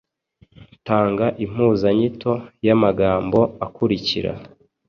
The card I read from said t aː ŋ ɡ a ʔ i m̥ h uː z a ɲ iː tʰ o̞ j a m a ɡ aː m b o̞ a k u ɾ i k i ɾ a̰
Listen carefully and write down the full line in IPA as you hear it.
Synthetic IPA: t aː ŋ ɡ a ʔ i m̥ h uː z a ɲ i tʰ o̞ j a m a ɡ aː m b o̞ a k u ɾ i c i ɾ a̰